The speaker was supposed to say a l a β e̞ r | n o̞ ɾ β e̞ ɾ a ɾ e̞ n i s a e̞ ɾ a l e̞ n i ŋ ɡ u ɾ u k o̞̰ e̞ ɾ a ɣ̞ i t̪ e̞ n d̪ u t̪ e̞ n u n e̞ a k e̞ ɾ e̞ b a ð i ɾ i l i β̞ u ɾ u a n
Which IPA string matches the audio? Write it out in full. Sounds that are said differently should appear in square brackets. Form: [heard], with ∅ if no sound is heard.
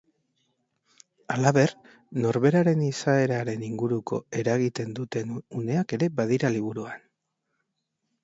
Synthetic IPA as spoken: a l a β e̞ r | n o̞ ɾ β e̞ ɾ a ɾ e̞ n i s a e̞ ɾ a [ɾ] e̞ n i ŋ ɡ u ɾ u k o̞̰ e̞ ɾ a ɣ̞ i t̪ e̞ n d̪ u t̪ e̞ n u n e̞ a k e̞ ɾ e̞ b a ð i ɾ [a] l i β̞ u ɾ u a n